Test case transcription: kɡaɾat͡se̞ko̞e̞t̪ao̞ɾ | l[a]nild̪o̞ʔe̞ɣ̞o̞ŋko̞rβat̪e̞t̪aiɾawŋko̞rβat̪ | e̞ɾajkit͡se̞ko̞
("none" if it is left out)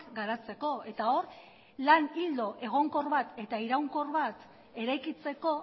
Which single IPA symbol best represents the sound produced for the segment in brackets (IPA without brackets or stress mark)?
a